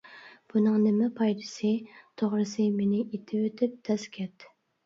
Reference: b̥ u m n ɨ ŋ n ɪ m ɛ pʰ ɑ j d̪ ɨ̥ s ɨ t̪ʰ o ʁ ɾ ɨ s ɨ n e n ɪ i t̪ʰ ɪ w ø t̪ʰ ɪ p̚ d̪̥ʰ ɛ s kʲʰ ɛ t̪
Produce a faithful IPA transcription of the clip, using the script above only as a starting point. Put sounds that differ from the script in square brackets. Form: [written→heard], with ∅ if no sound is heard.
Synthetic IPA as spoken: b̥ u [m→∅] n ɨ ŋ n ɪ m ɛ pʰ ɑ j d̪ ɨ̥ s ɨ t̪ʰ o ʁ ɾ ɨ s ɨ [n→m] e n ɪ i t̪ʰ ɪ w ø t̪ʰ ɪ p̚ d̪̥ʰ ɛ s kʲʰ ɛ t̪